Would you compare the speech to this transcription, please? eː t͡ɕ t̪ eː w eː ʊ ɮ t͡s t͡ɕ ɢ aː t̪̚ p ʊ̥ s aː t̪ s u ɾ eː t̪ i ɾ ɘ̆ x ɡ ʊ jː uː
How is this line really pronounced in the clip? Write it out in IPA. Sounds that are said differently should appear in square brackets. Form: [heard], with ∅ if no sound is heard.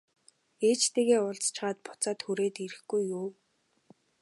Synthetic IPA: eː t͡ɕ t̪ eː [ɣ] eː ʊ ɮ t͡s t͡ɕ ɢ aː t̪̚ p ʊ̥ [t͡s] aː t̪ [x] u ɾ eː t̪ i ɾ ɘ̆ x ɡ [u] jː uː